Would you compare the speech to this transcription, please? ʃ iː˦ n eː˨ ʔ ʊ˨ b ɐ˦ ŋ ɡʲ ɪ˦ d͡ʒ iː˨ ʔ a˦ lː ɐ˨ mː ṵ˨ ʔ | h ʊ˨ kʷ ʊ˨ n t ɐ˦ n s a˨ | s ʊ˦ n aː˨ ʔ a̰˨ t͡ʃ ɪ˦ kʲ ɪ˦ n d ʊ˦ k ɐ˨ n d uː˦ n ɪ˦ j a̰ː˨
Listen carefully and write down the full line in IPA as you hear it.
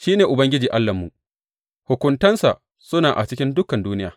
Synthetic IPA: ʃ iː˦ n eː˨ ʔ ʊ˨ b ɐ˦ ŋ ɡʲ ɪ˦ d͡ʒ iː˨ ʔ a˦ lː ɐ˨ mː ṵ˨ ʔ | h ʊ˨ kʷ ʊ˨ n t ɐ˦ n s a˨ | s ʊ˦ n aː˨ ʔ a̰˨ t͡ʃ ɪ˦ kʲ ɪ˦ n d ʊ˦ k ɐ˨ n d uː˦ n ɪ˦ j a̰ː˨